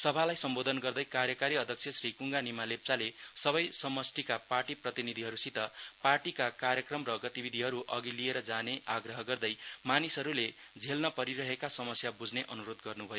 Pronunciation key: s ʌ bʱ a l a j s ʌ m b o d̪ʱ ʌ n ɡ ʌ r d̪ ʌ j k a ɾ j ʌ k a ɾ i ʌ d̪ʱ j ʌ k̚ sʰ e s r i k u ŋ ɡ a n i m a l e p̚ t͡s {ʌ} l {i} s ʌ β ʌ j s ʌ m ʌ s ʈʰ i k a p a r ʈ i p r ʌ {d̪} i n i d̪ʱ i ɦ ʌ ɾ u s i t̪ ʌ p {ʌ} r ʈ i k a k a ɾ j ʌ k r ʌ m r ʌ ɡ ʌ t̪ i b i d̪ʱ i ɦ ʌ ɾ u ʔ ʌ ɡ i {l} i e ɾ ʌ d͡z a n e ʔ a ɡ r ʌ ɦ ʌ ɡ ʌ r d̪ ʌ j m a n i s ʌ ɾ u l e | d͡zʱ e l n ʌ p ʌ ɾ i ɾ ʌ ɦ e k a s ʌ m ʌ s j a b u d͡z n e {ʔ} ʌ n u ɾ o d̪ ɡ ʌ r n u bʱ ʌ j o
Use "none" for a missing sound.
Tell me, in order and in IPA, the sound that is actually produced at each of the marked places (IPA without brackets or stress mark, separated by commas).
a, e, t̪, a, l, ʔ